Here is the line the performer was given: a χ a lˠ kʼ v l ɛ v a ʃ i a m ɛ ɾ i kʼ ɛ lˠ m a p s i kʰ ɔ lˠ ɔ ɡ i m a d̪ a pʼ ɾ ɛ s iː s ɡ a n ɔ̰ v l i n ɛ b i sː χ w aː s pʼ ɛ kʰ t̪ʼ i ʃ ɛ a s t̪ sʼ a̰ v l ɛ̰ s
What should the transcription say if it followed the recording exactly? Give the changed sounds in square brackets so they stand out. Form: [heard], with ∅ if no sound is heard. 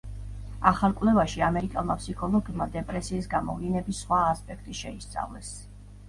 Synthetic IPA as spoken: a χ a lˠ kʼ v l ɛ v a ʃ i a m ɛ ɾ i kʼ ɛ lˠ m a p s i kʰ ɔ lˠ ɔ ɡ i m a d̪ [ɛ] pʼ ɾ ɛ s iː s ɡ a [m] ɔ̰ v l i n ɛ b i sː χ w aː s pʼ ɛ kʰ t̪ʼ i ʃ ɛ [i] s t̪ sʼ a̰ v l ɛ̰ s